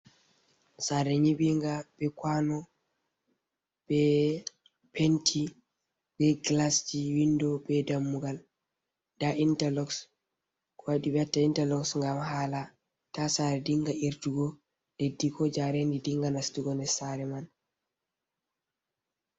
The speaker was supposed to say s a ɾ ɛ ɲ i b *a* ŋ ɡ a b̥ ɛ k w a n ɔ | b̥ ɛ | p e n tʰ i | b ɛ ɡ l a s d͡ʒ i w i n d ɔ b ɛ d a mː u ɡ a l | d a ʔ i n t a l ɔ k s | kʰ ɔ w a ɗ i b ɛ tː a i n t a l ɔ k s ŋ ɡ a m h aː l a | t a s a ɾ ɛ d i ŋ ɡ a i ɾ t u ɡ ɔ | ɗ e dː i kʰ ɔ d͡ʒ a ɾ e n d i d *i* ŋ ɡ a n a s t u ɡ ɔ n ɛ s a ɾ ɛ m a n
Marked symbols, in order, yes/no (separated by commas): no, yes